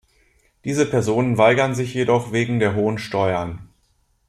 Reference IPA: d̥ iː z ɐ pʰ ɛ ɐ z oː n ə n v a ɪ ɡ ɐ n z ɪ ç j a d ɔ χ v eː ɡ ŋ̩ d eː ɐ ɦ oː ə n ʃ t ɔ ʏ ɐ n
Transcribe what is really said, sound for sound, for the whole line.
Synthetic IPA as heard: d̥ iː z ə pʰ ɛ ɐ z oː n ə n v a ɪ ɡ ɐ n z ɪ ç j e d ɔ χ v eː ɡ ŋ̩ d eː ɐ ɦ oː ə n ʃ t ɔ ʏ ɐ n